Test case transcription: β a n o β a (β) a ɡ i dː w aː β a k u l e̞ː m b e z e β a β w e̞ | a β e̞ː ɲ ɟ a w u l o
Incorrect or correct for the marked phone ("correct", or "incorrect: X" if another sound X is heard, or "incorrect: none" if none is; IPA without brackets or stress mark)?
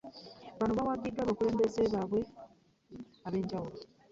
incorrect: w